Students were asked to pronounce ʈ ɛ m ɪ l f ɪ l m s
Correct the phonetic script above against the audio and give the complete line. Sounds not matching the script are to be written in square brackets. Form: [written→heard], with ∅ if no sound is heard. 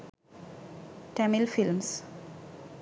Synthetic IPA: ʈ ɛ m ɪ l f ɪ l m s